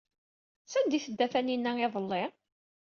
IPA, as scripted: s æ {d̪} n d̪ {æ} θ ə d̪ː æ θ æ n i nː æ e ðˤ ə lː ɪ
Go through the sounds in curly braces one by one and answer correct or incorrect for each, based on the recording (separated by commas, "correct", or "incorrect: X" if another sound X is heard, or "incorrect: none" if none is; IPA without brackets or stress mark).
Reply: incorrect: none, incorrect: i